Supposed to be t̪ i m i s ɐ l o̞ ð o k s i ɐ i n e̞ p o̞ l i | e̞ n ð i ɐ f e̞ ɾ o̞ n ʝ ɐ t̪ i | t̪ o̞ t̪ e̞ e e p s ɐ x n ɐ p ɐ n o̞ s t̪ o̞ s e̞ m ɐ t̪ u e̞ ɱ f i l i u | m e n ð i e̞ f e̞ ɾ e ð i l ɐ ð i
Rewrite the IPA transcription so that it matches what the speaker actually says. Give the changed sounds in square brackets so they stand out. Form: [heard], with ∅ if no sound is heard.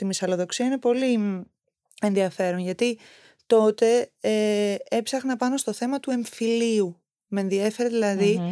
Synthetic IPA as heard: t̪ i m i s ɐ l o̞ ð o k s i ɐ i n e̞ p o̞ l i | e̞ n ð i ɐ f e̞ ɾ o̞ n ʝ ɐ t̪ i | t̪ o̞ t̪ e̞ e e p s ɐ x n ɐ p ɐ n o̞ s t̪ o̞ [θ] e̞ m ɐ t̪ u e̞ ɱ f i l i u | m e n ð i e̞ f e̞ ɾ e ð i l ɐ ð i